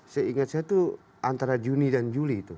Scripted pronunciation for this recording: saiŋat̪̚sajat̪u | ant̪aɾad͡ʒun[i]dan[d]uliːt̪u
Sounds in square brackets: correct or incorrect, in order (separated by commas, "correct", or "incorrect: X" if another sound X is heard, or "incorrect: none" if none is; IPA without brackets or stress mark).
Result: correct, incorrect: d͡ʒ